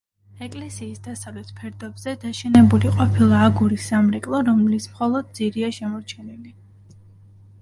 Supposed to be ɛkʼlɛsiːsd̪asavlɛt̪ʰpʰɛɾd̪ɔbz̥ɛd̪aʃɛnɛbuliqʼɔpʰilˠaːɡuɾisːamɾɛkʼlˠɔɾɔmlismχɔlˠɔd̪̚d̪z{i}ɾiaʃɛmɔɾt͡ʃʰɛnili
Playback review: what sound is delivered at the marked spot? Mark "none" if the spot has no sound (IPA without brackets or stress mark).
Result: i